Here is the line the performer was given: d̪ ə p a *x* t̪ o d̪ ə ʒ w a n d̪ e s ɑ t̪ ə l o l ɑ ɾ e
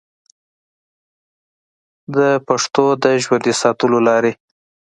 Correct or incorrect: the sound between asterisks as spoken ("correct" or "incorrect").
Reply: incorrect